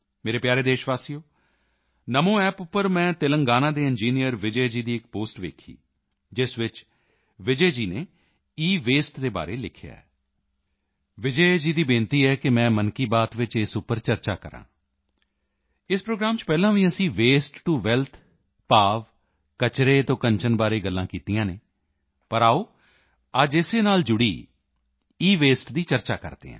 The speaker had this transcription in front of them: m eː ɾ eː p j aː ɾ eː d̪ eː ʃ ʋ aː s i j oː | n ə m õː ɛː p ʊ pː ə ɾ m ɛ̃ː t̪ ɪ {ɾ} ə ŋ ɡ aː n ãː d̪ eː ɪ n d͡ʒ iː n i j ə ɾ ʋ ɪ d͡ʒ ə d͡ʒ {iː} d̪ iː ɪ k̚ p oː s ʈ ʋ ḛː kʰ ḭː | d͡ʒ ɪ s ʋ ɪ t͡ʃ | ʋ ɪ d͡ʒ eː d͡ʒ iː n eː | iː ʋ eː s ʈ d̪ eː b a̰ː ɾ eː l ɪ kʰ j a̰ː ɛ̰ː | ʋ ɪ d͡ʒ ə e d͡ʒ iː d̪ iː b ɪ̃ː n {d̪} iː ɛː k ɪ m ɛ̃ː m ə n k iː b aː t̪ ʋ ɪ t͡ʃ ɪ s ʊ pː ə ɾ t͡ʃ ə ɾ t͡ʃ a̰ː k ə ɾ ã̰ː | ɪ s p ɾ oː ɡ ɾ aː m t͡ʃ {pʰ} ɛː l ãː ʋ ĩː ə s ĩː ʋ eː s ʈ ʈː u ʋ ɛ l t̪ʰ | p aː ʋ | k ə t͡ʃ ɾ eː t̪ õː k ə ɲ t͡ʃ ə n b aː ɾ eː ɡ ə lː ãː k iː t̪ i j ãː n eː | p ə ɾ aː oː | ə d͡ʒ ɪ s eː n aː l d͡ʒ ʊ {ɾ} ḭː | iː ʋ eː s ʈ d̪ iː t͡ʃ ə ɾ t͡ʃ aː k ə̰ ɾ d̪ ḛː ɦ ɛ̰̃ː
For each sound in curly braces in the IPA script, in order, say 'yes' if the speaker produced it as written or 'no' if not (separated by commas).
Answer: no, yes, no, no, no